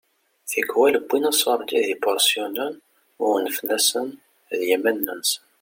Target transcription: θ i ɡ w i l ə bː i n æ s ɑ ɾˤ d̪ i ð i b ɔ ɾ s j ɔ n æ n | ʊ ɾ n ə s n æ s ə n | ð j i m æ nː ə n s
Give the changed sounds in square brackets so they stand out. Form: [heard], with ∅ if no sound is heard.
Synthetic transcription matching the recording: θ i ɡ w [æ] l ə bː i n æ s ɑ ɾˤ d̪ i ð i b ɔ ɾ s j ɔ n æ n | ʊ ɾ n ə [f] n æ s ə n | ð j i m æ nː ə n s